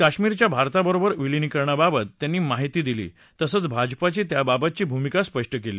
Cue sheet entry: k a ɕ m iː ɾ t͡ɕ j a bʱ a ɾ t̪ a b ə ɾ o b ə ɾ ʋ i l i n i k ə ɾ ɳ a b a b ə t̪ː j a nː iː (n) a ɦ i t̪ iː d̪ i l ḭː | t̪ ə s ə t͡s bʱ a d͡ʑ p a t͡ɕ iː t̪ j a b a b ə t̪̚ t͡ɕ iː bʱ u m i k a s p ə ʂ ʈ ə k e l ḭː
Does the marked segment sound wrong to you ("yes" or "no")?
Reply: yes